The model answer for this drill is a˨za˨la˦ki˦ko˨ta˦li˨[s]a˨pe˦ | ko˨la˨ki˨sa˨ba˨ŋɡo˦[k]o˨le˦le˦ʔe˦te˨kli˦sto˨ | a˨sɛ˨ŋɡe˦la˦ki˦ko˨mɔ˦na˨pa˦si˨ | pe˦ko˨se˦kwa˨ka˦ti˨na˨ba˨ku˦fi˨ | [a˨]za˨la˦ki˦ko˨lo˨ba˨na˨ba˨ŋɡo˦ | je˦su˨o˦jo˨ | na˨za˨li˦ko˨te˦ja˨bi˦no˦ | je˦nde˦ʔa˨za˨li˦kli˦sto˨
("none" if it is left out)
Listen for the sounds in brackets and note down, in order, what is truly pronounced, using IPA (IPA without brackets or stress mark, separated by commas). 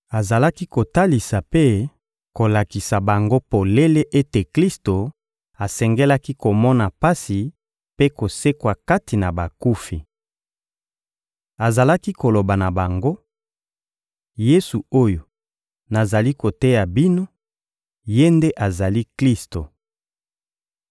s, p, a˨